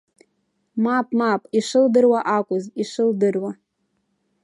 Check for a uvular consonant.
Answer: absent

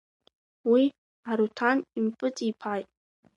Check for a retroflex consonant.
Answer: absent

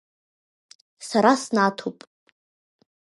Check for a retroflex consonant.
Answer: absent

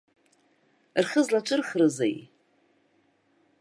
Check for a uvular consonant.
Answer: present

